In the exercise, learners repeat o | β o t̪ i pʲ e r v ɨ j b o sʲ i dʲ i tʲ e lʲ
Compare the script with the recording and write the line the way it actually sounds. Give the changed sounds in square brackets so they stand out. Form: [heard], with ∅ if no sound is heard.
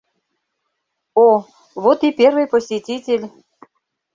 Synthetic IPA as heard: o | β o t̪ i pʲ e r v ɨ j [p] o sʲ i [tʲ] i tʲ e lʲ